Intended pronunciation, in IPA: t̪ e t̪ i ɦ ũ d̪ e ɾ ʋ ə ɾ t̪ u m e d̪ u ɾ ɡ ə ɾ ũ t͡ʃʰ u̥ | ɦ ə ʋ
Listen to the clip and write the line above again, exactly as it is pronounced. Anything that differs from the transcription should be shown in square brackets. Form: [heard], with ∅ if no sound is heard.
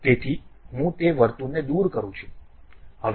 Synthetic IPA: t̪ e [t̪ʰ] i ɦ ũ [t̪] e [∅] ʋ ə ɾ t̪ u [n] e d̪ u ɾ [k] ə ɾ ũ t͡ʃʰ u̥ | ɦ ə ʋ